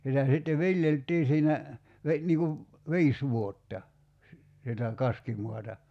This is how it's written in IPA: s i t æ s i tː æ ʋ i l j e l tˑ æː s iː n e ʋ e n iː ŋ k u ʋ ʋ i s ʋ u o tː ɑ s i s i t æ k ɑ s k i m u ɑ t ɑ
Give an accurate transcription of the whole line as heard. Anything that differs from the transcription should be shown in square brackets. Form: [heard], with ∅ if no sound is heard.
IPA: s i t æ s i tː [e] ʋ i l j e l tˑ [iː] s iː n [æ] ʋ e n iː ŋ k u ʋ ʋ [iː] s ʋ u o tː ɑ s i s i t æ k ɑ s k i m u ɑ t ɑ